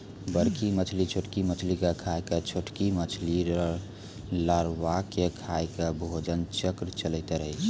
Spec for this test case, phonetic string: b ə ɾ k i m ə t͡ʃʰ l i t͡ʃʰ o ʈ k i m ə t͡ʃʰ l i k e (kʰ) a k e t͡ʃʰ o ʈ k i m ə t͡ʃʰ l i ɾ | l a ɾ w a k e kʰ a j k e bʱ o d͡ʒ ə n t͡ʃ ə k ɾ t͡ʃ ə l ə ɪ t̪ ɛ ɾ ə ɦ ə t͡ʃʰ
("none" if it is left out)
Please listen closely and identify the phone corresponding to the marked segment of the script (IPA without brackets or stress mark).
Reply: kʰ